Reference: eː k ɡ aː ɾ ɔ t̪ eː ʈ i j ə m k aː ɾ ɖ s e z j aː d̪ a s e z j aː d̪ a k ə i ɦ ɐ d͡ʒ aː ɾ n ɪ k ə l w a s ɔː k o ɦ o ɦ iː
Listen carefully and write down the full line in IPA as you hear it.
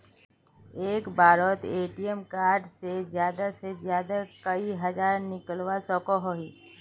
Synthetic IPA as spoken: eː k b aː ɾ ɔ t̪ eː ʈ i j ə m k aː ɾ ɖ s e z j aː d̪ a s e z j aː d̪ a k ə i ɦ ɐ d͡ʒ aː ɾ n ɪ k ə l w a s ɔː k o ɦ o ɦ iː